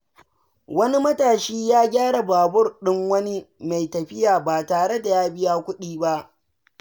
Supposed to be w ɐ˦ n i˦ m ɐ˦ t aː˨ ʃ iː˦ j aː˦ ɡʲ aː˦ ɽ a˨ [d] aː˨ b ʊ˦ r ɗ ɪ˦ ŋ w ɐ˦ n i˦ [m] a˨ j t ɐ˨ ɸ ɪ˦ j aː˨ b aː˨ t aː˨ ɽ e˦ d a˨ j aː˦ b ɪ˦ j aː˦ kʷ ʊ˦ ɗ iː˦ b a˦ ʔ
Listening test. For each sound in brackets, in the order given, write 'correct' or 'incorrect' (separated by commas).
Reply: incorrect, correct